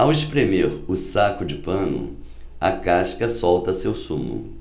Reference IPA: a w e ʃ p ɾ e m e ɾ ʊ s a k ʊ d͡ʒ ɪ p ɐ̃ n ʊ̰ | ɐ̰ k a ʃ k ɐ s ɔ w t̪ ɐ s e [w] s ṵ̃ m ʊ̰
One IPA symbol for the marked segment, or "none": w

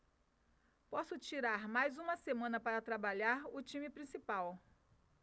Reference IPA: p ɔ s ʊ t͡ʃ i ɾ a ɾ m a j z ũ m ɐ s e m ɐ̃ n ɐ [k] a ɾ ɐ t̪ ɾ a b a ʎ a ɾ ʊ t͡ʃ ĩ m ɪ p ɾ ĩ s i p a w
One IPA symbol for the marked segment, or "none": p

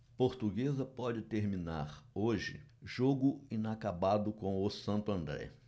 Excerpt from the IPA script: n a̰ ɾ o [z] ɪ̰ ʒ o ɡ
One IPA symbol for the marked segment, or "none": ʒ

